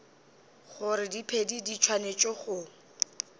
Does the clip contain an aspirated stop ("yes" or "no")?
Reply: yes